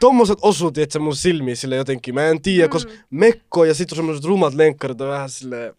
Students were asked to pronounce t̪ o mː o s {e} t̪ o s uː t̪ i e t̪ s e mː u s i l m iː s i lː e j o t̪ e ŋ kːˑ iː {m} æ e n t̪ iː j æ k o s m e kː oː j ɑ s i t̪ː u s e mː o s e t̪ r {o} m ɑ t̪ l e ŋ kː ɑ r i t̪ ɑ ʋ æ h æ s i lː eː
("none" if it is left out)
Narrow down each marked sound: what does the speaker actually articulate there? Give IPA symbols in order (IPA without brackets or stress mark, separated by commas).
e, m, u